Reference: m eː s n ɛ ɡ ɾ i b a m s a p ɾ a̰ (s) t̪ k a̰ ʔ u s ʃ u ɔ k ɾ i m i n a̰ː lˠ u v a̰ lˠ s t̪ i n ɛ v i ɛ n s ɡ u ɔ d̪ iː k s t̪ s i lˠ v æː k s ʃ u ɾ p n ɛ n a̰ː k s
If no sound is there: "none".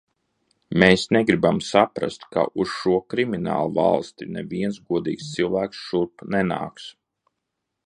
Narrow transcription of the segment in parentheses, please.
s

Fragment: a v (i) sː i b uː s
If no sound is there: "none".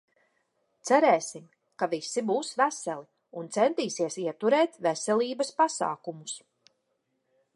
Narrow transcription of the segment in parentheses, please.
i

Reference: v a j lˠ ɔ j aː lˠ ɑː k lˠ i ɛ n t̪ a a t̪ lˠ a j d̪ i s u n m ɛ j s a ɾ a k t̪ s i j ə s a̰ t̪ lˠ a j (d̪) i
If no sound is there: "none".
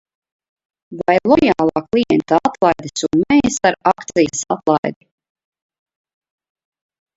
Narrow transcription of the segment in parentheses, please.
d̪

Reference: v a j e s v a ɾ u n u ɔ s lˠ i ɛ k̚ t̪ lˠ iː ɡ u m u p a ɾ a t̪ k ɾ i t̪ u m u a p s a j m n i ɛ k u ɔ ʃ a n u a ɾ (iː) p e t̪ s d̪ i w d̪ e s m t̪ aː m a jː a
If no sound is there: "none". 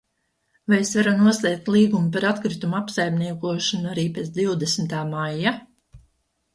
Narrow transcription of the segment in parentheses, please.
iː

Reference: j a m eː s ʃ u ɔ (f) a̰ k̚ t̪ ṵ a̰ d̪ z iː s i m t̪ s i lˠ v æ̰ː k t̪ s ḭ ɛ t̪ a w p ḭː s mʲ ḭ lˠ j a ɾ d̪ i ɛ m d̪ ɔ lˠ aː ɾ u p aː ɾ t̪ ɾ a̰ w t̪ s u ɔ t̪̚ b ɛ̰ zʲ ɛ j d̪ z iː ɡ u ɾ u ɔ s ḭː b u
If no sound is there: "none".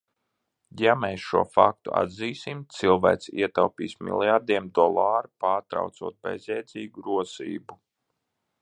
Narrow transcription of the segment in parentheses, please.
f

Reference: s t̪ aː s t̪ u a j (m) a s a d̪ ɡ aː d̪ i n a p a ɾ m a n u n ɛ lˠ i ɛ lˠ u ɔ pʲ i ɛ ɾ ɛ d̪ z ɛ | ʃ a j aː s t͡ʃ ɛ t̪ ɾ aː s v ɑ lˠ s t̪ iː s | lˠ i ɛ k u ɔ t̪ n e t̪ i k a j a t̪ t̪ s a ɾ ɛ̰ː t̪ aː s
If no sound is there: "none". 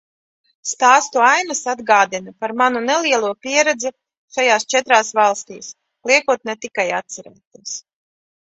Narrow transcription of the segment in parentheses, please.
n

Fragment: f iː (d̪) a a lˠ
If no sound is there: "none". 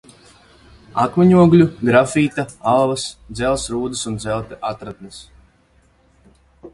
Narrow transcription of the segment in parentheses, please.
t̪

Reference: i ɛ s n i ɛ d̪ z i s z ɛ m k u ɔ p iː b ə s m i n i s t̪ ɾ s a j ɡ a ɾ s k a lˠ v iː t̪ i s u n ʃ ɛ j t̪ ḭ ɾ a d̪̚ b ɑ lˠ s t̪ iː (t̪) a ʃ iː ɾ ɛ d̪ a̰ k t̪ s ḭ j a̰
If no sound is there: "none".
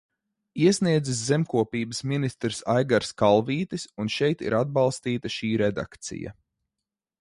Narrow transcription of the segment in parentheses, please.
t̪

